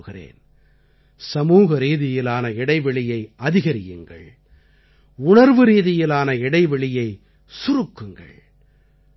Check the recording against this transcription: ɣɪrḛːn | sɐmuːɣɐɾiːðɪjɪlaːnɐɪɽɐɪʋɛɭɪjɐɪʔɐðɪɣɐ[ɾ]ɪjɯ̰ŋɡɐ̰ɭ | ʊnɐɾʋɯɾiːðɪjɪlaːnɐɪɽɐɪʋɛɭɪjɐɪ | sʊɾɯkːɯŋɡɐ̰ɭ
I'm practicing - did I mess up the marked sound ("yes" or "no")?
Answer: no